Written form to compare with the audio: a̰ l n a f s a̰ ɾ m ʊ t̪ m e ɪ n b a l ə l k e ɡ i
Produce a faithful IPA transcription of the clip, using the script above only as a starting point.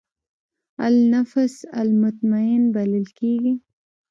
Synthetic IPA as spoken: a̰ l n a f s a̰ l m ʊ t̪ m a ɪ n b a l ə l k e ɡ i